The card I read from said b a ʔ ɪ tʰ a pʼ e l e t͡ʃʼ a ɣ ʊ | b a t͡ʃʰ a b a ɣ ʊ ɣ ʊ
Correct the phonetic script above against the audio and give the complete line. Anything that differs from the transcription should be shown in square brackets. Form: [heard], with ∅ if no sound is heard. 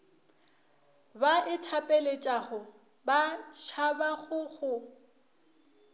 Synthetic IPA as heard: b a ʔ ɪ tʰ a pʼ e l e t͡ʃʼ a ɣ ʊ | b a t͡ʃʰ a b a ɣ ʊ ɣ ʊ